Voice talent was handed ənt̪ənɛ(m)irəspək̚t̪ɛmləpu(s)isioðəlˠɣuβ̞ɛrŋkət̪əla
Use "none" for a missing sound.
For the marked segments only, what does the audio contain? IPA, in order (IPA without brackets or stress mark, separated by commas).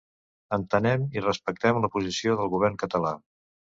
m, z